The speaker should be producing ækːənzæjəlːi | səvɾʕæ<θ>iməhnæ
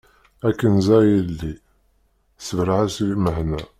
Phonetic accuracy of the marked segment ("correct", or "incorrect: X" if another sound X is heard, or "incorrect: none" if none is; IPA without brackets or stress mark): incorrect: s